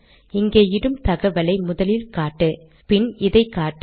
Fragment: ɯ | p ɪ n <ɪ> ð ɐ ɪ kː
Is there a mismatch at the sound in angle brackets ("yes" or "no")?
no